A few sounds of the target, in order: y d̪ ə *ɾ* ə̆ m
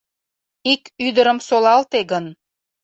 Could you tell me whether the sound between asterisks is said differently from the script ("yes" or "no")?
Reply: no